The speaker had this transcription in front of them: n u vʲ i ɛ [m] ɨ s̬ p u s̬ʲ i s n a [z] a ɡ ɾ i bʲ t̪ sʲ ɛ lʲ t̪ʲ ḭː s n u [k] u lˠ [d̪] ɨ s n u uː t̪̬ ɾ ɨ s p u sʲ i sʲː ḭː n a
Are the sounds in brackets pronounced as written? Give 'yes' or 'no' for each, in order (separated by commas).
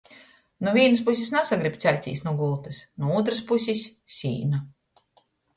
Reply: no, no, no, no